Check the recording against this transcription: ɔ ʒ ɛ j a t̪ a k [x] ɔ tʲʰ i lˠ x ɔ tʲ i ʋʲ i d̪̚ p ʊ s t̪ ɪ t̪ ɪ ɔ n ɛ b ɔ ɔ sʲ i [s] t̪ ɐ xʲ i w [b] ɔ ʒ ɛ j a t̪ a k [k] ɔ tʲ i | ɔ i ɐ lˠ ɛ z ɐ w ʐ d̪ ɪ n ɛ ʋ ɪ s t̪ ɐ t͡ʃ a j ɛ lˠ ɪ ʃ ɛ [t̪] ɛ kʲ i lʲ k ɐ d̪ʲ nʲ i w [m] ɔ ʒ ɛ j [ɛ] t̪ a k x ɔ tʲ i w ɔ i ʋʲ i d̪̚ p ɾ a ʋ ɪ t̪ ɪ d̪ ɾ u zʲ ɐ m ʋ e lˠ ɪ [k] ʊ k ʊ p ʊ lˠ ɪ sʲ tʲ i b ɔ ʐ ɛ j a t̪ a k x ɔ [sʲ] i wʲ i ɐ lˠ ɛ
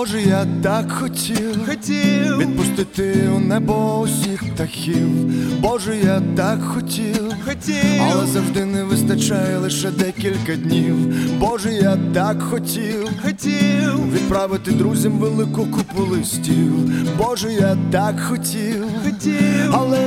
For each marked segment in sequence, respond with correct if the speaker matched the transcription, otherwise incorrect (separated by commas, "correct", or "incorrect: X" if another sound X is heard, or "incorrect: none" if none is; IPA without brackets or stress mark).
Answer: correct, incorrect: x, correct, incorrect: x, incorrect: d̪, incorrect: b, incorrect: a, correct, incorrect: tʲ